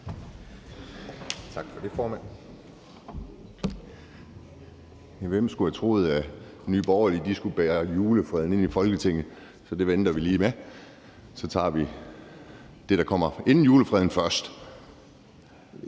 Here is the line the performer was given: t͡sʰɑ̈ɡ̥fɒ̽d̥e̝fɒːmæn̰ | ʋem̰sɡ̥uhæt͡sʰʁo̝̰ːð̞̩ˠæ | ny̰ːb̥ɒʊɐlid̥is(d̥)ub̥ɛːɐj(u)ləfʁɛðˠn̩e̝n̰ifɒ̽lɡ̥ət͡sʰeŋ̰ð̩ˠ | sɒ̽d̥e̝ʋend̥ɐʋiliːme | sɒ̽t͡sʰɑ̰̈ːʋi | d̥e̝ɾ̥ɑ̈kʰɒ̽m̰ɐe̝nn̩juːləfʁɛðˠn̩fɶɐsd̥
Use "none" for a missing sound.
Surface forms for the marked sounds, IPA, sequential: ɡ̥, uː

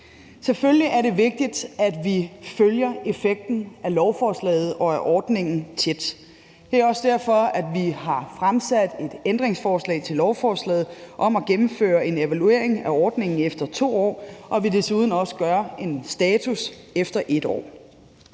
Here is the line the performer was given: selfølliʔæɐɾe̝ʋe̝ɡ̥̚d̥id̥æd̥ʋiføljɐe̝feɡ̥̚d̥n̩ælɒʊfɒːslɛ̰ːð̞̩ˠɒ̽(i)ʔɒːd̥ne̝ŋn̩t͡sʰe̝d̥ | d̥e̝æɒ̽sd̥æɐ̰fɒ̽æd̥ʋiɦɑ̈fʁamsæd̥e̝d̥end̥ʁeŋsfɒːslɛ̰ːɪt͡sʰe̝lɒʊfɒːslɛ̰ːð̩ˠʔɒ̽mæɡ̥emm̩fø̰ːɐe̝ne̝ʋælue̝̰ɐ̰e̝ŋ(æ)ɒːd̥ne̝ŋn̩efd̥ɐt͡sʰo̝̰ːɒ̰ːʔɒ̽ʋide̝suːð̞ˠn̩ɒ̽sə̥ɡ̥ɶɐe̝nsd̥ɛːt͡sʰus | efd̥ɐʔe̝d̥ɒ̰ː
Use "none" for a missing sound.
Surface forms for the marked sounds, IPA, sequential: æ, æ

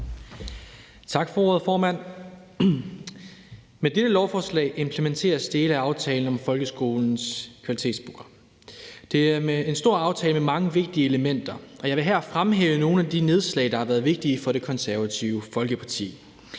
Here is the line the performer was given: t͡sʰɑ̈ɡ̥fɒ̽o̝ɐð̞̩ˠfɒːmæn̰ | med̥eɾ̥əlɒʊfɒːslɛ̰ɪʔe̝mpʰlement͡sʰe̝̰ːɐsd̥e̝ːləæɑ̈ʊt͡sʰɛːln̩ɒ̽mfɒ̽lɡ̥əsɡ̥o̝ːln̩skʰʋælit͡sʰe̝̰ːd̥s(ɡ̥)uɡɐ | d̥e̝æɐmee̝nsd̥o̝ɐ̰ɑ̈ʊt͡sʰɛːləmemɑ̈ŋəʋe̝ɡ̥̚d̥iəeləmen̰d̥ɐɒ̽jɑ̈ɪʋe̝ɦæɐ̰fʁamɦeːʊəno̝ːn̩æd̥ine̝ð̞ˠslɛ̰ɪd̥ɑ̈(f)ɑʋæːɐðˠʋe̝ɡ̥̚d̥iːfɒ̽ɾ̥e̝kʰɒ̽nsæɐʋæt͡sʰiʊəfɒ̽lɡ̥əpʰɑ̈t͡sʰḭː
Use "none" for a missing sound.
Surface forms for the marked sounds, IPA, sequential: b̥, h

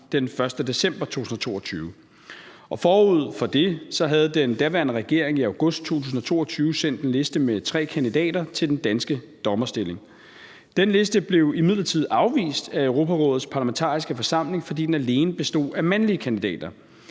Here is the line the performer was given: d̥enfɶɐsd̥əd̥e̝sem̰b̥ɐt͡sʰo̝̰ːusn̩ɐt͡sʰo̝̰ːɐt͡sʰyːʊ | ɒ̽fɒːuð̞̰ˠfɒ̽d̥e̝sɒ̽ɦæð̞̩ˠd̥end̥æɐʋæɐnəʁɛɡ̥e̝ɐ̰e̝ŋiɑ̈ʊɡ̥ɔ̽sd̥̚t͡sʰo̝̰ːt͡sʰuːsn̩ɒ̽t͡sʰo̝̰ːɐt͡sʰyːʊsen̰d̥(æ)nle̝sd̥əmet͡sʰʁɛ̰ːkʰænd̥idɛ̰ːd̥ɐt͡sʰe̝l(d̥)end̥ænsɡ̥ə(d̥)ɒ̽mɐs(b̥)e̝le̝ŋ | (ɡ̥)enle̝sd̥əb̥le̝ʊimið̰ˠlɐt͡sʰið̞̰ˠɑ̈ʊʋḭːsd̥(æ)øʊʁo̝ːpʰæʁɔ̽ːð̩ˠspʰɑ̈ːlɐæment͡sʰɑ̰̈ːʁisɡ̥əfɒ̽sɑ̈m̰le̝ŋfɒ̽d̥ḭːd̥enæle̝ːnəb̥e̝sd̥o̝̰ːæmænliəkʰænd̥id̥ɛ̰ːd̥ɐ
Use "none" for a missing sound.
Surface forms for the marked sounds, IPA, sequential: e, d̥, d̥, d̥, d̥, æ

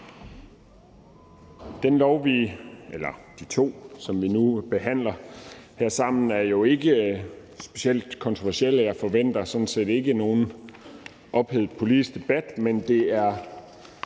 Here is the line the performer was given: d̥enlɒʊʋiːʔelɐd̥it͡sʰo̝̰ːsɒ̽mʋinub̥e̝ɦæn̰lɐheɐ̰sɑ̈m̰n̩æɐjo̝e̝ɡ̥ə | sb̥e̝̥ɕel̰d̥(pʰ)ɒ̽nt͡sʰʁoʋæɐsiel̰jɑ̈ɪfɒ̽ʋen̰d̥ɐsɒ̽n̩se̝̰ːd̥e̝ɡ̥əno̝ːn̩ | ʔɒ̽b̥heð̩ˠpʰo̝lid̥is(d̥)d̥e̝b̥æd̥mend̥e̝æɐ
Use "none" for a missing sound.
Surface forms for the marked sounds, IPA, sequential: kʰ, ɡ̥

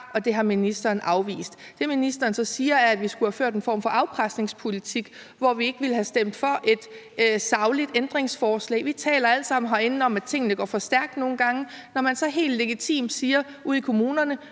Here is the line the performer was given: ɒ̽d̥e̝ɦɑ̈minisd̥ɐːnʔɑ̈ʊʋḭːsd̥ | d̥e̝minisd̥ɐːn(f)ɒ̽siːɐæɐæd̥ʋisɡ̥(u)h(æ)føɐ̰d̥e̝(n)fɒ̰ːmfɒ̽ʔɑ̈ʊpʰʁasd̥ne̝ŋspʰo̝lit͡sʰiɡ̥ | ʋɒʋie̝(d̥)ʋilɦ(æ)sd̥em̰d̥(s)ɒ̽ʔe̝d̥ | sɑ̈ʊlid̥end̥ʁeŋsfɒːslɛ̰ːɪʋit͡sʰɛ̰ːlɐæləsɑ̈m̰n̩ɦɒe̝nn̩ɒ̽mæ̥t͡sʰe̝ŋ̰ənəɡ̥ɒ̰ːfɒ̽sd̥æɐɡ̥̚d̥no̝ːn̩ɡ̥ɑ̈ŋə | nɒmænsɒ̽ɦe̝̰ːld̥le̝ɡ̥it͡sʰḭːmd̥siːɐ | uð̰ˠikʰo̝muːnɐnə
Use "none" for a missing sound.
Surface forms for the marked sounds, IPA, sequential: s, u, æ, n, ɡ̥, æ, f

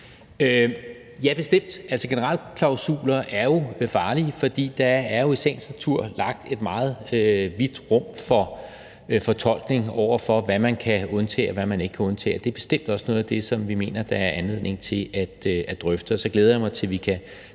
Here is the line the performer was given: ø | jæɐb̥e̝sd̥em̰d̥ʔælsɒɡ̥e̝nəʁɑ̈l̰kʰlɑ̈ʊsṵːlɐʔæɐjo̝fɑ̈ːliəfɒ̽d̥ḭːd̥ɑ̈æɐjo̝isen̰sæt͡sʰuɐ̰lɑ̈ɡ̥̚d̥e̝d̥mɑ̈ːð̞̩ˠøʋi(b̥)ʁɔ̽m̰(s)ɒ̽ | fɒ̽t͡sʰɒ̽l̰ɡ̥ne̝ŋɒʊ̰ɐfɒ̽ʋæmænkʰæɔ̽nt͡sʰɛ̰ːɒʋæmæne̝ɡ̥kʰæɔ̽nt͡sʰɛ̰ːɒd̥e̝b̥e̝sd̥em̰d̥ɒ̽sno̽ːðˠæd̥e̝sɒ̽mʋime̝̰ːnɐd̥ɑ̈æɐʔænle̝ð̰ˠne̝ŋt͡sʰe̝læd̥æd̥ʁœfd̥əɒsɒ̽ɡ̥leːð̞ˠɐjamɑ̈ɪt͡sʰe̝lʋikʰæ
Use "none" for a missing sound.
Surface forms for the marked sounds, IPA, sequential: d̥, f

